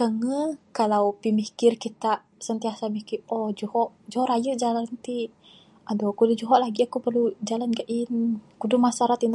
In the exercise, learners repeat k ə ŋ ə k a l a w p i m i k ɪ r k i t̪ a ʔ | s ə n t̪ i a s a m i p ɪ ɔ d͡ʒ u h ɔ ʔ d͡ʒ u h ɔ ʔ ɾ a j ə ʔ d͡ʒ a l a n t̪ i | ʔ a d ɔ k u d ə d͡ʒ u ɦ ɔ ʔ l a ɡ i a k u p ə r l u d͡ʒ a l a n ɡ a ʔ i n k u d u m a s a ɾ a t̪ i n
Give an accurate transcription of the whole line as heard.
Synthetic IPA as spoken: k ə ŋ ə k a l a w p i m i k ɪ r k i t̪ a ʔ | s ə n t̪ i a s a m i k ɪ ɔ d͡ʒ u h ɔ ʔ d͡ʒ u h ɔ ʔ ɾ a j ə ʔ d͡ʒ a l a n t̪ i | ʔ a d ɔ k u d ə d͡ʒ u ɦ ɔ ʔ l a ɡ i a k u p ə r l u d͡ʒ a l a n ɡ a ʔ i n k u d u m a s a ɾ a t̪ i n